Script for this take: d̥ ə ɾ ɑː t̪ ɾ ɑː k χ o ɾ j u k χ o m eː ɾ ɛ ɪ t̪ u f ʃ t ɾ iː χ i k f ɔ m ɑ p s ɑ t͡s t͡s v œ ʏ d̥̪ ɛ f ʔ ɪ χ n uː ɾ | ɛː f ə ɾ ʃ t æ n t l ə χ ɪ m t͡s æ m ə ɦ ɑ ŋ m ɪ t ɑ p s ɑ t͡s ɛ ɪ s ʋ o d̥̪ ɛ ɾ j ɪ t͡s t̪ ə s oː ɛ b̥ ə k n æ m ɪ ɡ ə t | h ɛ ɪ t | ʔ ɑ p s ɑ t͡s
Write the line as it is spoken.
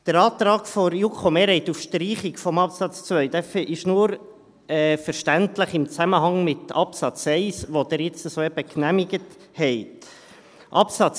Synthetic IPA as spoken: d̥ ə ɾ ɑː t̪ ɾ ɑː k f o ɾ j u k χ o m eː ɾ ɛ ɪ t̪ u f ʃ t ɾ iː χ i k f ɔ m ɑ p s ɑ t͡s t͡s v œ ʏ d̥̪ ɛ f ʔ ɪ ʃ n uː ɾ | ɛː f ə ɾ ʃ t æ n t l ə χ ɪ m t͡s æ m ə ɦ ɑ ŋ m ɪ t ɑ p s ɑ t͡s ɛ ɪ s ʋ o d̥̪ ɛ ɾ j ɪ t͡s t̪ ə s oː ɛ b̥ ə k n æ m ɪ ɡ ə t | h ɛ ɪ t | ʔ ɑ p s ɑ t͡s